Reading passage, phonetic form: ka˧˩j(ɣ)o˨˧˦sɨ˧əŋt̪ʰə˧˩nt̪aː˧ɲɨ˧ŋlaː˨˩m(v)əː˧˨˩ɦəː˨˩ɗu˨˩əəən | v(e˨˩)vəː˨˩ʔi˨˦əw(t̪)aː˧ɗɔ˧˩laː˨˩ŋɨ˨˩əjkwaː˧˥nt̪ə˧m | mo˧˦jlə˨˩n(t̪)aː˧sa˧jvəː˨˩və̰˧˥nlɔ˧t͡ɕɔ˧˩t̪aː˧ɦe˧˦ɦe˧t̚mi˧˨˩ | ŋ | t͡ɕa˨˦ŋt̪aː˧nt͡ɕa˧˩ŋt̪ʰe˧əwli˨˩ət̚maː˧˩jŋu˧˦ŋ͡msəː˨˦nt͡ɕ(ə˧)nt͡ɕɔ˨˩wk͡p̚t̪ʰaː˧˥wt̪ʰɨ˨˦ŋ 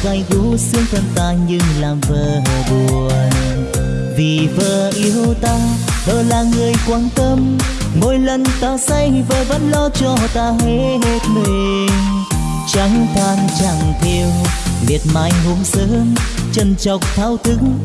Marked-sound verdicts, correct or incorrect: correct, correct, incorrect: i˨˩, correct, correct, correct

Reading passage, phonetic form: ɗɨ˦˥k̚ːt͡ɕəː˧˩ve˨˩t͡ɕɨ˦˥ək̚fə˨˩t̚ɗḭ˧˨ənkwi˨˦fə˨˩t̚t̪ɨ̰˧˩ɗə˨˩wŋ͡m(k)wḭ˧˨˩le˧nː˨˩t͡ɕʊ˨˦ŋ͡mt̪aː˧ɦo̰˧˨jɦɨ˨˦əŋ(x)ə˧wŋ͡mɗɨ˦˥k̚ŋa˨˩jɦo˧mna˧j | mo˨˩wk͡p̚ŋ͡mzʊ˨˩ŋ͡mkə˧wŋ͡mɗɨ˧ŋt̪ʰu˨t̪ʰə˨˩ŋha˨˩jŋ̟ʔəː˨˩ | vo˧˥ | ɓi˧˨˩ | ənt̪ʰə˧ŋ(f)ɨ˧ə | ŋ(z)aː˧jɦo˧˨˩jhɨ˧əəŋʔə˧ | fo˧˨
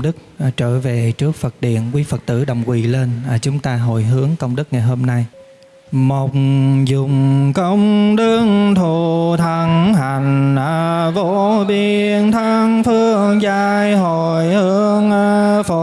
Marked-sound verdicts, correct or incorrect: correct, incorrect: k, correct, correct

